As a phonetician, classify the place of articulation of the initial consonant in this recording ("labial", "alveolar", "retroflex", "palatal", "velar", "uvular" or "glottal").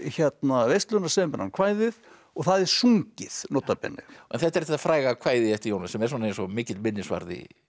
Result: palatal